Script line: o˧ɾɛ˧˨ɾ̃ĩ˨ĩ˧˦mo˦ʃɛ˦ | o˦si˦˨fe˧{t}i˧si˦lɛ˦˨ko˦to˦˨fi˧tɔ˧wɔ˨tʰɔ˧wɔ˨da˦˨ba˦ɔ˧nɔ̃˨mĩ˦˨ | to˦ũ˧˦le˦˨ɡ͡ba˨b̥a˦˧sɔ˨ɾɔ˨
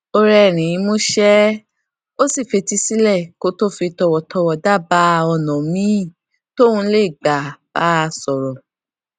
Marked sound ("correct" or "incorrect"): correct